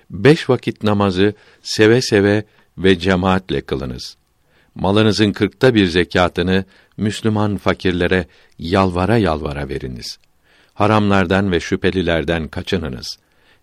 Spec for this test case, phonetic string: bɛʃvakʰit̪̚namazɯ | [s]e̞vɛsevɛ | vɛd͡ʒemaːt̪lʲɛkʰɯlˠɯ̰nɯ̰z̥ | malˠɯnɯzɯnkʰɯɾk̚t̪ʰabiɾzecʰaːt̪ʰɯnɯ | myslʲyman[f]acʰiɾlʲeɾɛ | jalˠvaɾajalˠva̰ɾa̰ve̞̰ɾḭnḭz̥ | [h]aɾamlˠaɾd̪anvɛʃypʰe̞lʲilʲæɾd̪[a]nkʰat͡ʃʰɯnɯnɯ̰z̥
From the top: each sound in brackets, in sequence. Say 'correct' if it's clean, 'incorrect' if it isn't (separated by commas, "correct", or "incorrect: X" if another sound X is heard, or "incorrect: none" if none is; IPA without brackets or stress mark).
correct, correct, correct, incorrect: æ